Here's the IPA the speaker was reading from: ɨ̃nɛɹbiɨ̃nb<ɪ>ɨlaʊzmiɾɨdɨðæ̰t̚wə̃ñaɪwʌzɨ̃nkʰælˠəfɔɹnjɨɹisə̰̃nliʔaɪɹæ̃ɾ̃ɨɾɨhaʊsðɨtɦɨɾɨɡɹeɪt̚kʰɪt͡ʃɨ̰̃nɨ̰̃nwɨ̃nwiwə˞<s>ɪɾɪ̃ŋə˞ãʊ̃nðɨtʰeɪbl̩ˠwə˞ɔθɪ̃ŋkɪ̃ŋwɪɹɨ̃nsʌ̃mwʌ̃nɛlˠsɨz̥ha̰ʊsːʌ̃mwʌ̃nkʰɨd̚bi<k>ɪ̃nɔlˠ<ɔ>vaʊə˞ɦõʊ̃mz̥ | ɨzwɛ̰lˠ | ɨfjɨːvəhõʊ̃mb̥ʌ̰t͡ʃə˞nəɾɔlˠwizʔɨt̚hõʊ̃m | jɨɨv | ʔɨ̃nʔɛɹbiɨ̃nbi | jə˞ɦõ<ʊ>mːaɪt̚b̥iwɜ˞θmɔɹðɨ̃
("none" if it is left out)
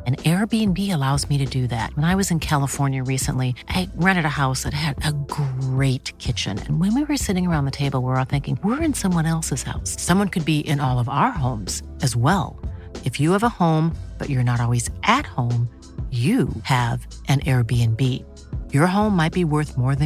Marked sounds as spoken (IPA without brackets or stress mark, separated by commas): i, s, ʔ, ʌ, ʊ̃